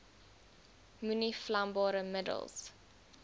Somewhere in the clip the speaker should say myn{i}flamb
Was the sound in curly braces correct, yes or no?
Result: yes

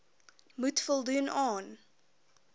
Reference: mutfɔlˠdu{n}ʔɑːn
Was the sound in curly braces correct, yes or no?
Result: yes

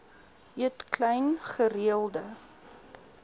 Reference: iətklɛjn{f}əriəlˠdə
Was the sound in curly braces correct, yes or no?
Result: no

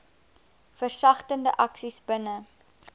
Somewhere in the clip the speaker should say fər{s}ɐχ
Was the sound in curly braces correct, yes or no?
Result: yes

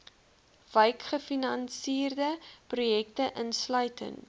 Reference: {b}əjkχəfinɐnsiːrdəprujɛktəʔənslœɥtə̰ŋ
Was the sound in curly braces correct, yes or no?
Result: no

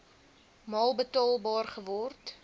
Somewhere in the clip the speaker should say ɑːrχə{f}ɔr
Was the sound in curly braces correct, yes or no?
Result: no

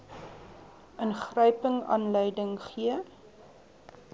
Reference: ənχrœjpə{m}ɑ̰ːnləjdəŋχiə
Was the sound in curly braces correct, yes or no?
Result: no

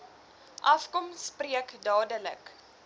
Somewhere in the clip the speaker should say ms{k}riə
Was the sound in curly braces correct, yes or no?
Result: no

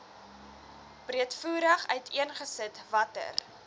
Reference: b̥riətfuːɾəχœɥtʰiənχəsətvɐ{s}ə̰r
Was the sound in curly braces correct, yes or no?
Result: no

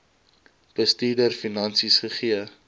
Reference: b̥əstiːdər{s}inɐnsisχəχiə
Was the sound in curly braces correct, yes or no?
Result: no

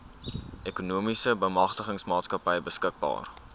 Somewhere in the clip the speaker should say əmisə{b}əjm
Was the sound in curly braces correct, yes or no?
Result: yes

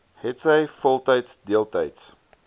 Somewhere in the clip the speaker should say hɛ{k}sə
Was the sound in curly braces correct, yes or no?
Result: no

